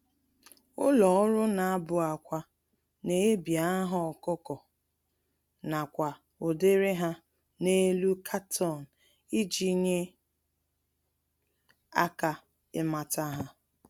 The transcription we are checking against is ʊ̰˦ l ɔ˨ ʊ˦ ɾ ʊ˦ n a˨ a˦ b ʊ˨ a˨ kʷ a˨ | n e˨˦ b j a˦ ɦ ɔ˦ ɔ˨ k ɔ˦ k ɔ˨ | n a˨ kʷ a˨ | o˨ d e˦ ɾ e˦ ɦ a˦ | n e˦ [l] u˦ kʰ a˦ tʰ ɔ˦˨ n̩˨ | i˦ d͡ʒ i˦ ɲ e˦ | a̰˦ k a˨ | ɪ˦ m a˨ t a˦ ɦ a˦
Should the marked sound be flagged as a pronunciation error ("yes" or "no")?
no